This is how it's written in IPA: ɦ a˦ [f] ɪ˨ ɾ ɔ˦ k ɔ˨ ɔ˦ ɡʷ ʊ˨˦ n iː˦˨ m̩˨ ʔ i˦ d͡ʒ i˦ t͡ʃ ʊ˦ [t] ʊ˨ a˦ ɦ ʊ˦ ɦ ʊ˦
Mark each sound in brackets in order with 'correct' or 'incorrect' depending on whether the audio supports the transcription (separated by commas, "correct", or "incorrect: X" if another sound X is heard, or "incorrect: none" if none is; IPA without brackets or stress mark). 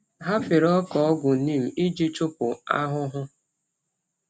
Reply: correct, incorrect: p